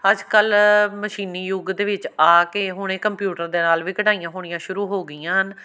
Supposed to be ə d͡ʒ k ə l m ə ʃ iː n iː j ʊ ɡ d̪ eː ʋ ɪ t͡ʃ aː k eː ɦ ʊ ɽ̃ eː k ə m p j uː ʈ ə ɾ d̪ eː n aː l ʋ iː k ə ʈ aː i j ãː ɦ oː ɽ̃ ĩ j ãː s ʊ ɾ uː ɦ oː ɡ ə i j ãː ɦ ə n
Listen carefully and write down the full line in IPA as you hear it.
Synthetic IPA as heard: ə d͡ʒ k ə l m ə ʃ iː n iː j ʊ ɡ d̪ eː ʋ ɪ t͡ʃ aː k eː ɦ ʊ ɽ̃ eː k ə m p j uː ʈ ə ɾ d̪ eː n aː l ʋ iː k ə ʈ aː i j ãː ɦ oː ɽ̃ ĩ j ãː ʃ ʊ ɾ uː ɦ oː ɡ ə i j ãː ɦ ə n